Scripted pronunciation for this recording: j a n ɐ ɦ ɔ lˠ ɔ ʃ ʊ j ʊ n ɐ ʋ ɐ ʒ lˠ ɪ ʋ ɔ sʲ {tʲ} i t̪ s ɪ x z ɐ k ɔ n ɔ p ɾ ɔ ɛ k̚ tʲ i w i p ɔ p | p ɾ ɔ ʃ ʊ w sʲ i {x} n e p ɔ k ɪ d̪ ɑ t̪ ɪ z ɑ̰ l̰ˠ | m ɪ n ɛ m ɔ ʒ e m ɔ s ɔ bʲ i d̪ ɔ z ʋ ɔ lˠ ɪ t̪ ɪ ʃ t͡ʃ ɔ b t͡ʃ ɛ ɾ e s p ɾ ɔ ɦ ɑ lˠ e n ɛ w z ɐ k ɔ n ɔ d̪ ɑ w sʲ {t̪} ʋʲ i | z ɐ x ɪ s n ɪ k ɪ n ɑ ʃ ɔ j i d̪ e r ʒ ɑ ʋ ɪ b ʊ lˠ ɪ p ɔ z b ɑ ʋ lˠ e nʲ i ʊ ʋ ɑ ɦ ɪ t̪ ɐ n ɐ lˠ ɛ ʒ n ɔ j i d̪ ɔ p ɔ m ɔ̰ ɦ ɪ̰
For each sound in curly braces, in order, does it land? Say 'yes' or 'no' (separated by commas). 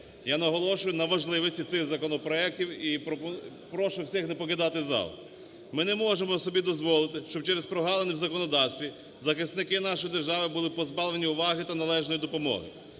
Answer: yes, yes, yes